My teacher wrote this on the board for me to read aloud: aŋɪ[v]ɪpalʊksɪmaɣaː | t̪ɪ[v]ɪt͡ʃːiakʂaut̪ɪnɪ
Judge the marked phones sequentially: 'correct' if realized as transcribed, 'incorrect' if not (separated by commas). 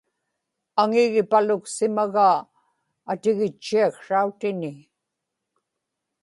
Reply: incorrect, incorrect